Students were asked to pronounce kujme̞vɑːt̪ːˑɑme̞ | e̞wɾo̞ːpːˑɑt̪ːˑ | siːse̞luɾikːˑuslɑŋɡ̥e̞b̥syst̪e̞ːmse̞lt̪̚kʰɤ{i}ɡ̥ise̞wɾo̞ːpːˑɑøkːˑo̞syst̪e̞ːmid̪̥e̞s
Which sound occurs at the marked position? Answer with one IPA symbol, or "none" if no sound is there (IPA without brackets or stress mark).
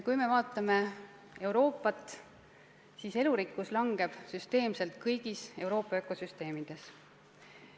j